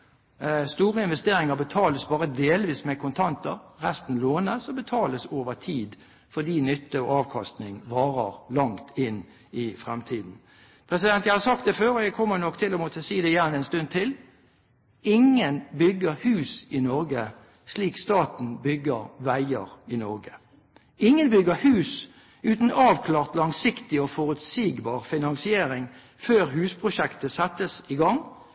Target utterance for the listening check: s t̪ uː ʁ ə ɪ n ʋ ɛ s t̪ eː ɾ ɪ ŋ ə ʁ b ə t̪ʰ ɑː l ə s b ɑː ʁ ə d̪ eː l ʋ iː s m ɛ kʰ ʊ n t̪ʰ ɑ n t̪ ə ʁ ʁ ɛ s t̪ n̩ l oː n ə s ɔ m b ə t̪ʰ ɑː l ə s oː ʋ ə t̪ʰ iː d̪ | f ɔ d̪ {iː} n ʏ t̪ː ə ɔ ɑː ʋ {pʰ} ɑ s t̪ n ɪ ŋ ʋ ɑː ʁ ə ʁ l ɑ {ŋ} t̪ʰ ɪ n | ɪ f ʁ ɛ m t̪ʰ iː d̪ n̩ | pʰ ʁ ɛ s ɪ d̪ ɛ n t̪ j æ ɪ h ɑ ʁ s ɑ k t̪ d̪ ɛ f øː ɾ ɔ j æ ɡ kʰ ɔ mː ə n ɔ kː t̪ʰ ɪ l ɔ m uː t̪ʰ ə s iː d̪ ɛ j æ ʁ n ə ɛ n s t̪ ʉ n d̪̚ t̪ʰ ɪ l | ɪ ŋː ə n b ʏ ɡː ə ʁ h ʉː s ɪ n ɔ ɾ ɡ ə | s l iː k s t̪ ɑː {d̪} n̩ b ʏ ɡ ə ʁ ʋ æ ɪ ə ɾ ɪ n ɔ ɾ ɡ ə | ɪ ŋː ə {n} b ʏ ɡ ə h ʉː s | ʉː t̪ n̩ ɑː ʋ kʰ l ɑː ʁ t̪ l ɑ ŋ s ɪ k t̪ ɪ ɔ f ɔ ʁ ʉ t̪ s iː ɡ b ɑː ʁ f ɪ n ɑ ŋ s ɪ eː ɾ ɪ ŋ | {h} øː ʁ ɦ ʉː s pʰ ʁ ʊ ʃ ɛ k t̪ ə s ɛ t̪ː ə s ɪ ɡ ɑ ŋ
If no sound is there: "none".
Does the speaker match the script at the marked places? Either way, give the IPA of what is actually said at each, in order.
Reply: iː, kʰ, ŋ, t̪, n, f

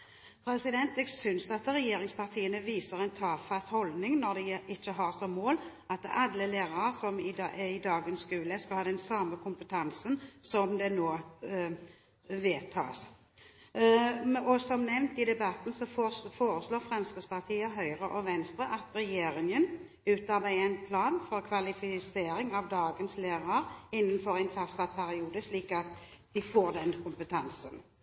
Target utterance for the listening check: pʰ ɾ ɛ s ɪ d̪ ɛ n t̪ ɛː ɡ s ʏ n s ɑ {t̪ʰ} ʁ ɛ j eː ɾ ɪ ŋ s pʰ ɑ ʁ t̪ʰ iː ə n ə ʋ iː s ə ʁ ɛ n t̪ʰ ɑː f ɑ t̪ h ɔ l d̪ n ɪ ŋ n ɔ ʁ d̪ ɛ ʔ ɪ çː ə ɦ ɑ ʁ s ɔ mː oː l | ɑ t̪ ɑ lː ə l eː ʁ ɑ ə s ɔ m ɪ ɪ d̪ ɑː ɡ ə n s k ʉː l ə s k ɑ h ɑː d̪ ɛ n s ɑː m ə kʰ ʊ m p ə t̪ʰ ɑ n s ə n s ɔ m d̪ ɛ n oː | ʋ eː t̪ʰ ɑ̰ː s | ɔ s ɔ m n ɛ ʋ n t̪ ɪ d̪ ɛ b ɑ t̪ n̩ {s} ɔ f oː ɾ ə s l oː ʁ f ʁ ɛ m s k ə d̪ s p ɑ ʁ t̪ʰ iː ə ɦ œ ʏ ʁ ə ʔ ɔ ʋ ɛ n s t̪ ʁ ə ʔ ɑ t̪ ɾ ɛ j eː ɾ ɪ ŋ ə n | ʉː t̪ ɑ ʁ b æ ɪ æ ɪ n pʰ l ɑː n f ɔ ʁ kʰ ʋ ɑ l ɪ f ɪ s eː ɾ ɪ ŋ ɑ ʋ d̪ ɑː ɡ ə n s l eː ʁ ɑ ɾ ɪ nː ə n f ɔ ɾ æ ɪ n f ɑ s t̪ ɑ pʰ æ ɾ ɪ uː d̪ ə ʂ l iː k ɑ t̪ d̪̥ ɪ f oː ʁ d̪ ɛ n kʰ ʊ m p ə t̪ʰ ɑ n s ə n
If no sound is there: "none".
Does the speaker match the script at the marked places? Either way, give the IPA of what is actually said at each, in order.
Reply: t̪, s

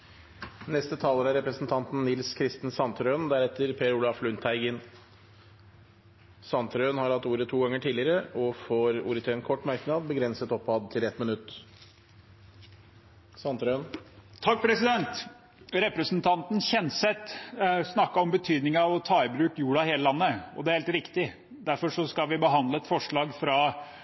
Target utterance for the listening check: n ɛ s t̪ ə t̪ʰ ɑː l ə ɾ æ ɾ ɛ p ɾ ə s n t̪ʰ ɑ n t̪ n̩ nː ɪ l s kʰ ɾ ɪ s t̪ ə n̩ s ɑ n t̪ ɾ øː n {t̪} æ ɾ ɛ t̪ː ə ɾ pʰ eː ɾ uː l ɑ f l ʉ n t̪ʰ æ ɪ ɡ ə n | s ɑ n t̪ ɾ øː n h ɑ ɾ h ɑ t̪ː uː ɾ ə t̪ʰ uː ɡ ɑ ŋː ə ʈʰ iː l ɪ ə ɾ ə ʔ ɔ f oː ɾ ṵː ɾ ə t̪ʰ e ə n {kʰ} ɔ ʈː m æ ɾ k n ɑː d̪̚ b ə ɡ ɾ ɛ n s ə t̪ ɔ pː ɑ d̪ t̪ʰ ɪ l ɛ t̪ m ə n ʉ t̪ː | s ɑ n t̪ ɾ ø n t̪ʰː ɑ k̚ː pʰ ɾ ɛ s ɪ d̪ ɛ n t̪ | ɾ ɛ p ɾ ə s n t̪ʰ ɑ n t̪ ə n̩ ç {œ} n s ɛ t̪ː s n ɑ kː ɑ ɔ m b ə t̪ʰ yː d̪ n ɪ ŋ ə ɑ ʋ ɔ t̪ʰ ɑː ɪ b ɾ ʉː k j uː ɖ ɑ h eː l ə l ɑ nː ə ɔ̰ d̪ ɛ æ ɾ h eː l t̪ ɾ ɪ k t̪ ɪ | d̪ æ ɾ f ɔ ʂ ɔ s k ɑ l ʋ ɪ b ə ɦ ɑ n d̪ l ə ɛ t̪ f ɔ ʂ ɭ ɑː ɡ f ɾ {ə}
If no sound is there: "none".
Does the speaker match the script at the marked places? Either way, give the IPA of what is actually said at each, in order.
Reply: d̪, kʰ, ɛ, ɑ

